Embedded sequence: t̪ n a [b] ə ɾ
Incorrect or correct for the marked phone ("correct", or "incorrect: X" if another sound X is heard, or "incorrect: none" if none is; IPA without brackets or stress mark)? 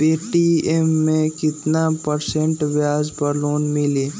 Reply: incorrect: p